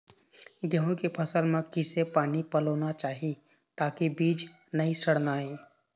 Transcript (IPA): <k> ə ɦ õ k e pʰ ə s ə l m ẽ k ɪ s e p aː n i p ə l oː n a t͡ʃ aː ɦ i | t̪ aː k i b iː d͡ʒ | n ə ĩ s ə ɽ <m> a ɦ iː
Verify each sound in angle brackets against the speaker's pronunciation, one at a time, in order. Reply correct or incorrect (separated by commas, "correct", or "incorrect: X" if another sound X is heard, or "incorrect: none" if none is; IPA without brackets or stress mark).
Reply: incorrect: ɡ, incorrect: n